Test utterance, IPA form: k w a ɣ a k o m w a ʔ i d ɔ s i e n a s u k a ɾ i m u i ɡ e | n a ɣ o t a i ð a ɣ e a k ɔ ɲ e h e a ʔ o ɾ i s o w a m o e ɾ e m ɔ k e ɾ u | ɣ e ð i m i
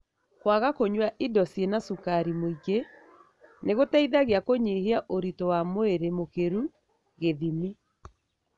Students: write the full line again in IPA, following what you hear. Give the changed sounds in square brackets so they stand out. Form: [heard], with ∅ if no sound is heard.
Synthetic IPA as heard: k w a ɣ a k o [ɲ] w a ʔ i d ɔ s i e n a s u k a ɾ i m [o] i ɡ e | n [e] ɣ o t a i ð a ɣ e a k [o] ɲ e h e a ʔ o ɾ i [t] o w a m o e ɾ e m [o] k e ɾ u | ɣ e ð i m i